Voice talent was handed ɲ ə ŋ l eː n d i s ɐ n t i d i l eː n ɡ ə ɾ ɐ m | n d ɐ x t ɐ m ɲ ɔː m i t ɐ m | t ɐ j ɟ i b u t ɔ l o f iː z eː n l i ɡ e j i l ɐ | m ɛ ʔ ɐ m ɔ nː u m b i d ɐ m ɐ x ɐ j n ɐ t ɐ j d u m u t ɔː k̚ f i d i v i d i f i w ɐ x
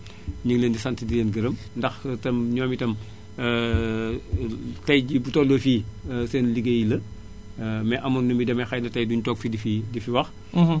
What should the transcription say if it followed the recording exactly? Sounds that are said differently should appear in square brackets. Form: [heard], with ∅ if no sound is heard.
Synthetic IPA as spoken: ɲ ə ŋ l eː n d i s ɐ n t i d i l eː n ɡ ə ɾ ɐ m | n d ɐ x t ɐ m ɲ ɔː m i t ɐ m | t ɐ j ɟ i b u t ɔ l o f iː [s] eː n l i ɡ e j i l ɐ | m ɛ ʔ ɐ m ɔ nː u m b i d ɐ m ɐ x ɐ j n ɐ t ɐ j d u [ɲ] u t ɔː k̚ f i d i [f] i d i f i w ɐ x